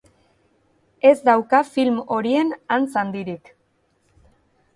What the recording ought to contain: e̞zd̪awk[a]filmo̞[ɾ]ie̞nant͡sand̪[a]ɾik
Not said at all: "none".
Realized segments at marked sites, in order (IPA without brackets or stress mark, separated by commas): a, ɾ, i